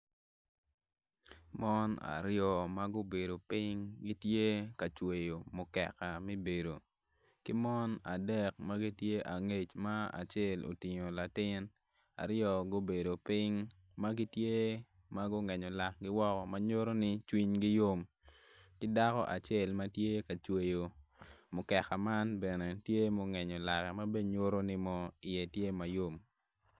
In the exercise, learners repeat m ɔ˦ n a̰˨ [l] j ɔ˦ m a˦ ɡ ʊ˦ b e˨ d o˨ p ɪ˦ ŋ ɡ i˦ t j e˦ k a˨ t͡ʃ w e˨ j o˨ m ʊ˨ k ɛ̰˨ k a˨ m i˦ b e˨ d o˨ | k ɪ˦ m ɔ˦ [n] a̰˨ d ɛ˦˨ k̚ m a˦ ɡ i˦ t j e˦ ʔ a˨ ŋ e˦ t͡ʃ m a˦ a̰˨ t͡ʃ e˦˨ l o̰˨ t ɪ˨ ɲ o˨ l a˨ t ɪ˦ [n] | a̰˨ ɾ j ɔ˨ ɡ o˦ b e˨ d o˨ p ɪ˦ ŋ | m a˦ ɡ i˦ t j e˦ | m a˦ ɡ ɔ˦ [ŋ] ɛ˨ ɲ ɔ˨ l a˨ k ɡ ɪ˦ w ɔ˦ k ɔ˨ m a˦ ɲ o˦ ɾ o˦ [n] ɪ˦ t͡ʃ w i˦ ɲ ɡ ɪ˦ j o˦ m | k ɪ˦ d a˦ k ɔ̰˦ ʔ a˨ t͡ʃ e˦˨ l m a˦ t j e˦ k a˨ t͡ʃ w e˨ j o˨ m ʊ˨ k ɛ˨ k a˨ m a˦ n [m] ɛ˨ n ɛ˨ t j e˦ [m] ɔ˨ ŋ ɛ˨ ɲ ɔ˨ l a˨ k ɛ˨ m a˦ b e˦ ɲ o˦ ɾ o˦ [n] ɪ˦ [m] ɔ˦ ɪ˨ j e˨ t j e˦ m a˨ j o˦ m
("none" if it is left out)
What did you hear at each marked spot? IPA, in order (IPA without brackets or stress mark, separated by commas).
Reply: ɾ, n, n, ŋ, n, b, m, n, m